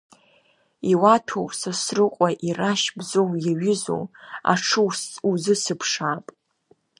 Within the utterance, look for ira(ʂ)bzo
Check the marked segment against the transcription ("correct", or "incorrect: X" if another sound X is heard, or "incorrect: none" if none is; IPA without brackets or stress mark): incorrect: ʃ